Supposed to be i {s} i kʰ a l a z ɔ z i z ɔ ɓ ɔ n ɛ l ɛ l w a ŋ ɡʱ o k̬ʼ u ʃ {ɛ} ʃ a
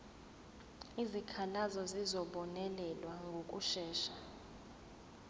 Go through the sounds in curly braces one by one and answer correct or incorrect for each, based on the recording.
incorrect: z, incorrect: ɛː

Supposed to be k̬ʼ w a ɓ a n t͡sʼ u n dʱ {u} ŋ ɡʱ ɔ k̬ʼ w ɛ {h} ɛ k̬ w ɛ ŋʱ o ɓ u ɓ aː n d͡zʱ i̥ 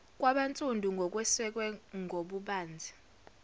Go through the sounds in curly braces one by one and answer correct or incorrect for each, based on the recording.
correct, incorrect: s

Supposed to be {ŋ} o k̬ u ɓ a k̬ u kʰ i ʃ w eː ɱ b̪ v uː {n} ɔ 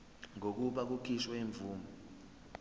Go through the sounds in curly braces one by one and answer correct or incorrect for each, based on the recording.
correct, incorrect: m

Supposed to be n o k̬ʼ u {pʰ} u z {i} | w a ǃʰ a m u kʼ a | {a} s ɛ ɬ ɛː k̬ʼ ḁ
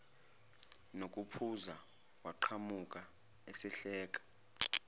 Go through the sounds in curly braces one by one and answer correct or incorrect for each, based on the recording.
correct, incorrect: a, incorrect: e

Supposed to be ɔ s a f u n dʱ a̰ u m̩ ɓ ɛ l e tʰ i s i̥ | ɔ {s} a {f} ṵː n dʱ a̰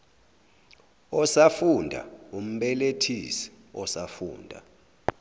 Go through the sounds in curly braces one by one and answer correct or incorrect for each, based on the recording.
correct, correct

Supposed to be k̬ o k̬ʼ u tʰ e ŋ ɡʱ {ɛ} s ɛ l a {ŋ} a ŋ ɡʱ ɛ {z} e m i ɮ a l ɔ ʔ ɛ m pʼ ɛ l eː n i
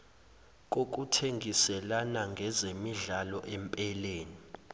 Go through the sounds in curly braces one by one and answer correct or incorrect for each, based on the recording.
incorrect: i, incorrect: n, correct

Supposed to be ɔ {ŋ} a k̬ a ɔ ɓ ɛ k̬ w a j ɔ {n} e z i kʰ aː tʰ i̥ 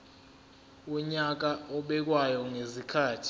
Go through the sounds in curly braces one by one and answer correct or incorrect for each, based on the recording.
incorrect: ɲ, incorrect: ŋ

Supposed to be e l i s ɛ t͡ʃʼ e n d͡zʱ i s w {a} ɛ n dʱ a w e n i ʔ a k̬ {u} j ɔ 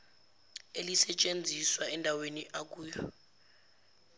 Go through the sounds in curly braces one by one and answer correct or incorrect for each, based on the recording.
correct, incorrect: uː

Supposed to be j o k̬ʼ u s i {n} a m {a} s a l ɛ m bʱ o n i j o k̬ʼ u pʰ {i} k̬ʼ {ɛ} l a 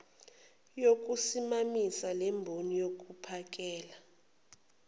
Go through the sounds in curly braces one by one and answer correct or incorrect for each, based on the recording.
incorrect: m, incorrect: i, incorrect: a, incorrect: ɛː

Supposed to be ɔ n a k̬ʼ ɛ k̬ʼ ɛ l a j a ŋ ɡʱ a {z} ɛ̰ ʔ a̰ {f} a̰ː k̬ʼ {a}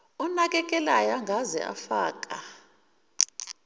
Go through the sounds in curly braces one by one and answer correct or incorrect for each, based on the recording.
correct, correct, correct

